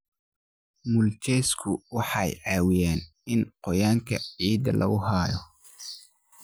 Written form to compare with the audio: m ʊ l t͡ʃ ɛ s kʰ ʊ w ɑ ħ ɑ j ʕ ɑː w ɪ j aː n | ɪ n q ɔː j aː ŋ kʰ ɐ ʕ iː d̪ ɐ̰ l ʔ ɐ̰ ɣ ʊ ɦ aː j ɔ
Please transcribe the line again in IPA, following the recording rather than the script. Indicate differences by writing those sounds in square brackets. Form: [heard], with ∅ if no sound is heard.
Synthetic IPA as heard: m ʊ l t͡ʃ ɛ s kʰ ʊ w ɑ ħ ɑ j ʕ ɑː w ɪ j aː n | ɪ n q [ɔ] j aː ŋ kʰ ɐ ʕ iː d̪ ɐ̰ l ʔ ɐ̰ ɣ ʊ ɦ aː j ɔ